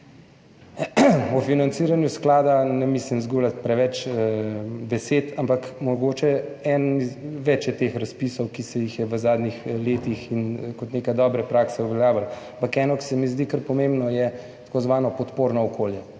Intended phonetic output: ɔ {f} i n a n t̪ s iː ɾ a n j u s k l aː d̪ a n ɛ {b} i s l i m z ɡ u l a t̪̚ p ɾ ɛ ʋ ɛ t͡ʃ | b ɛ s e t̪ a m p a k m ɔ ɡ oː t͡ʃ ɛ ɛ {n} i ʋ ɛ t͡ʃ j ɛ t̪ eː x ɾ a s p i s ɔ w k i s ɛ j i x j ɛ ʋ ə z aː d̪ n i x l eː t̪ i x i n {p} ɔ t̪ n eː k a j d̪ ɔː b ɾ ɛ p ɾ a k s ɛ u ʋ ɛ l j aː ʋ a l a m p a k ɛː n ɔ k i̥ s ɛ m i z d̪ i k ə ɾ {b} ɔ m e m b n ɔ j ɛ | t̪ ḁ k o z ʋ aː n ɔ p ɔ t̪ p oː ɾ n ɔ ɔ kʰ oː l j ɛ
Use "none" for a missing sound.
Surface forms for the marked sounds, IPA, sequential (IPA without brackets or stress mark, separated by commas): f, m, n, k, p